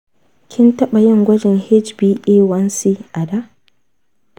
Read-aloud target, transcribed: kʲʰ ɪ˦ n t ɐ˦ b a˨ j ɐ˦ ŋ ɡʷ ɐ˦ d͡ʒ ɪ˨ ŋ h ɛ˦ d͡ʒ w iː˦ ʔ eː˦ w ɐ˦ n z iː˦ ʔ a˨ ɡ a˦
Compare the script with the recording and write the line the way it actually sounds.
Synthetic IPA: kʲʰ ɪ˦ n t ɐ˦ ɓ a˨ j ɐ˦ ŋ ɡʷ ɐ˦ d͡ʒ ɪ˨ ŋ h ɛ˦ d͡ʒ b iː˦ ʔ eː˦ w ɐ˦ n s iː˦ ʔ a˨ d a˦